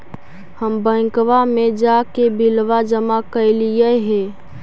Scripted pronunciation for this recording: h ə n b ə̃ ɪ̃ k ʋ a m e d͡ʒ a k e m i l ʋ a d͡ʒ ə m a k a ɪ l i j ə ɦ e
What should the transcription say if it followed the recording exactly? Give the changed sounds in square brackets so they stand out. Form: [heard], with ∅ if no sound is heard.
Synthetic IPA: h ə [m] b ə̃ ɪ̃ k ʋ a m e d͡ʒ a k e [b] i l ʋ a d͡ʒ ə m a k [ə] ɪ l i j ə ɦ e